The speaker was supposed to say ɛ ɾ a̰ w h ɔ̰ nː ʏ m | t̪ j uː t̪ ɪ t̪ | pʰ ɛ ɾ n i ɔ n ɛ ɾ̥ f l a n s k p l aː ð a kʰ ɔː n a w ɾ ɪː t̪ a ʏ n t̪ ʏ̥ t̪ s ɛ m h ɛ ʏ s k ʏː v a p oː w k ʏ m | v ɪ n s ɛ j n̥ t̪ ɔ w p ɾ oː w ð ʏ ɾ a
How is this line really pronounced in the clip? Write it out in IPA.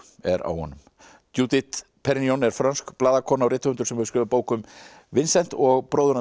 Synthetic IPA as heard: ɛ ɾ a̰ w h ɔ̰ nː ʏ m | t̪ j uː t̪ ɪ t̪ | pʰ ɛ ɾ n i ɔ n ɛ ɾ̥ f ɾ a n s k p l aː ð a kʰ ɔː n a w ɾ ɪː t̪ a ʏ n t̪ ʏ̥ s ɛ m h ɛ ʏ s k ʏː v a p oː w k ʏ m | v ɪ n s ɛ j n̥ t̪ ɔ ɣ p ɾ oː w ð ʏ ɾ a